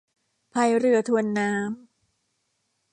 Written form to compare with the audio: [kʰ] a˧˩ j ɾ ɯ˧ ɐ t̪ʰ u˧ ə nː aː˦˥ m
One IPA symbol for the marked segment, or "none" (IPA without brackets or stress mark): pʰ